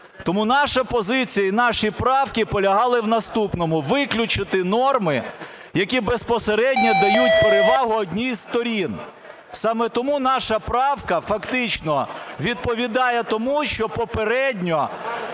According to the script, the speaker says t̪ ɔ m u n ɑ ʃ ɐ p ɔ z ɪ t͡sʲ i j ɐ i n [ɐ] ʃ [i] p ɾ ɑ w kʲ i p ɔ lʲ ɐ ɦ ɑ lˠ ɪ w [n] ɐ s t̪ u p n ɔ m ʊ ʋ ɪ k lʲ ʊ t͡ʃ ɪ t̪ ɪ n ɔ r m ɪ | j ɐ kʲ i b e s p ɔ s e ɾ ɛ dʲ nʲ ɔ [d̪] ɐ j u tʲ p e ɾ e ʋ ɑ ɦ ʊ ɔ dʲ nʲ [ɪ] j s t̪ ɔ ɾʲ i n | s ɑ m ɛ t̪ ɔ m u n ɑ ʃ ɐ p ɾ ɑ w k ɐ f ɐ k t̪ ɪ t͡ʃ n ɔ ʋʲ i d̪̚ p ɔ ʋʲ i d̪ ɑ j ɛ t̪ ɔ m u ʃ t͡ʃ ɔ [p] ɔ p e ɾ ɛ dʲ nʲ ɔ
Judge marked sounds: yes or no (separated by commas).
no, yes, yes, yes, no, yes